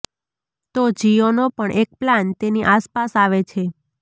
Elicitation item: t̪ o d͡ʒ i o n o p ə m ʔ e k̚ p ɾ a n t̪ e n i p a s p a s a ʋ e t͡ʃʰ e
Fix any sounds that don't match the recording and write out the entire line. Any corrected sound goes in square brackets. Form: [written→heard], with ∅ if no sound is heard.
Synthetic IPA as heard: t̪ o d͡ʒ i o n o p ə [m→ɳ] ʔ e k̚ p [ɾ→l] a n t̪ e n i [p→ʔ] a s p a s a ʋ e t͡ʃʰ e

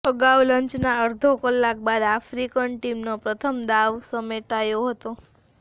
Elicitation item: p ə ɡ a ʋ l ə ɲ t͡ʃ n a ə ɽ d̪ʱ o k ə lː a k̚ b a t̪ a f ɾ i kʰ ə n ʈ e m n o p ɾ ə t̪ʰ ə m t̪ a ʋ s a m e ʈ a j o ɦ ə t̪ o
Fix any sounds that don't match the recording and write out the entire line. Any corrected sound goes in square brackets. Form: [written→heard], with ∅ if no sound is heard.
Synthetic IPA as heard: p ə ɡ a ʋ l ə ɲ t͡ʃ n a ə [ɽ→ɾ] d̪ʱ o k ə lː a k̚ b a [t̪→d̪] a f ɾ i [kʰ→k] ə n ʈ [e→i] m n o p ɾ ə t̪ʰ ə m [t̪→d̪] a ʋ s [a→ə] m e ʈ a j o ɦ ə t̪ o

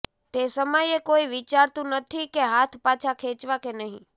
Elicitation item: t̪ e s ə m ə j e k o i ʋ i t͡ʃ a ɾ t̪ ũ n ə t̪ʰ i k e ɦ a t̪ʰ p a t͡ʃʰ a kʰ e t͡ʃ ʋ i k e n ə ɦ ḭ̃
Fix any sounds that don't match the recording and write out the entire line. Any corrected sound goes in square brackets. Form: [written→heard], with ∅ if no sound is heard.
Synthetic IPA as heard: t̪ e s ə m ə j e k o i ʋ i t͡ʃ a ɾ t̪ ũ n ə t̪ʰ i k e ɦ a t̪ʰ p a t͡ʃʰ a kʰ e t͡ʃ ʋ [i→a] k e n ə ɦ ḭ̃

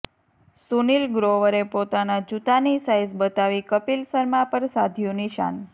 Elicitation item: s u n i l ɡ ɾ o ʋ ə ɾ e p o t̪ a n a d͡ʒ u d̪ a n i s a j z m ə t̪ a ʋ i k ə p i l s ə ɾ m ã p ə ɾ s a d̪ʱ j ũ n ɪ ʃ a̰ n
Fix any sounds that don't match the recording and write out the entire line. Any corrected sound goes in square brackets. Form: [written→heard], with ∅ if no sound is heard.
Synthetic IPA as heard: s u n i l ɡ ɾ o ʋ ə ɾ e p o t̪ a n a d͡ʒ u [d̪→t̪] a n i s a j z [m→b] ə t̪ a ʋ i k ə p i l s ə ɾ m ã p ə ɾ s a d̪ʱ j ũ n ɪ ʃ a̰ n

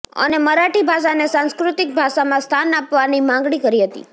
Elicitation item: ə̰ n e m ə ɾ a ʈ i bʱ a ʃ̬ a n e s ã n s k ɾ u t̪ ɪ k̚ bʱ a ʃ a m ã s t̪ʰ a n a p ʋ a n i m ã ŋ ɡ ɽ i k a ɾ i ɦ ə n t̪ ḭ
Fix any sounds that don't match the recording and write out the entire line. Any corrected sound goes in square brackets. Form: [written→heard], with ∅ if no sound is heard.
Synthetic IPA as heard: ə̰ n e m ə ɾ a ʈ i bʱ a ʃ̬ a n e s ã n s k ɾ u t̪ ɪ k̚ bʱ a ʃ a m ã s t̪ʰ a n a p ʋ a n i m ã ŋ ɡ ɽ i k [a→ə] ɾ i ɦ ə [n→∅] t̪ ḭ

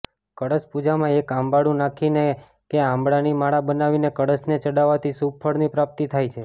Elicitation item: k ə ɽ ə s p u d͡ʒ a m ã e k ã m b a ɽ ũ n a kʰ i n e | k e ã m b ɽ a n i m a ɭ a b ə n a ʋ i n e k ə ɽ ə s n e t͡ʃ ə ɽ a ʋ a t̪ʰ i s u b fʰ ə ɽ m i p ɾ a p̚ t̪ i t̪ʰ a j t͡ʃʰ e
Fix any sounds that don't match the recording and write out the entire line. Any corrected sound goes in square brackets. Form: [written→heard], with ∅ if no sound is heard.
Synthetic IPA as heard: k ə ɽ ə s p u d͡ʒ a m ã e k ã m b a ɽ ũ n a kʰ i n e | k e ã m b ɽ a n i m a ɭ a b ə n a ʋ i n e k ə ɽ ə s n e t͡ʃ ə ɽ a ʋ a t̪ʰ i s u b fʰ ə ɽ [m→n] i p ɾ a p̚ t̪ i t̪ʰ a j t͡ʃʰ e

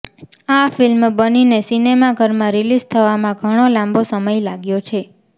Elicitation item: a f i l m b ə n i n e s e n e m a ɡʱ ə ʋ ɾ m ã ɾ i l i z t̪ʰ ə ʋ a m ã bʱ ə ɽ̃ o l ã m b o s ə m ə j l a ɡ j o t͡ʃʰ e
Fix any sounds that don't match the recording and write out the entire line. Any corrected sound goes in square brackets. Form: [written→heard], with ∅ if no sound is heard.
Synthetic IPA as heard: a f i l m b ə n i n e s [e→i] n e m a ɡʱ ə [ʋ→∅] ɾ m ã ɾ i l i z t̪ʰ ə ʋ a m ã [bʱ→ɡʱ] ə ɽ̃ o l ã m b o s ə m ə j l a ɡ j o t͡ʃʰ e

